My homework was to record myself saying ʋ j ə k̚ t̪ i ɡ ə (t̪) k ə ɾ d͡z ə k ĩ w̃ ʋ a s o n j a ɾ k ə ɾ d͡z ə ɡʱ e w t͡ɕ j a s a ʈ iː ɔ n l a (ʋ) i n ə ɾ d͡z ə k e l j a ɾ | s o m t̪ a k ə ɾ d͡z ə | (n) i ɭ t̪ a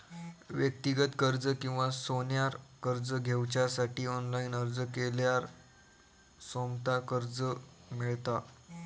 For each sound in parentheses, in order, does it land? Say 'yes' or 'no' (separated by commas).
yes, no, no